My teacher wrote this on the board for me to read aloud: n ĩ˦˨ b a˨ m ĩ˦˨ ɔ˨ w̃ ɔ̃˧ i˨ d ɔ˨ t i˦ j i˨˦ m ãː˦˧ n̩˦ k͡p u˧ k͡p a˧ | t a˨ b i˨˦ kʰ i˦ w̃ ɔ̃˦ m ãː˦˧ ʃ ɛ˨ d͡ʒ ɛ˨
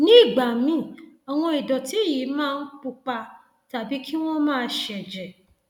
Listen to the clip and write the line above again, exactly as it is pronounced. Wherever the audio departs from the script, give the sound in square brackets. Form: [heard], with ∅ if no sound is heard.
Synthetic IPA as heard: n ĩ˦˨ [ɡ͡b] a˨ m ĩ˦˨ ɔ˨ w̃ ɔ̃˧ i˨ d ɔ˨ t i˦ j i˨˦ m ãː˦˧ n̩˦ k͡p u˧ k͡p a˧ | t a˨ b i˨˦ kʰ i˦ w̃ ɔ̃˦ m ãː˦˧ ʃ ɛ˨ d͡ʒ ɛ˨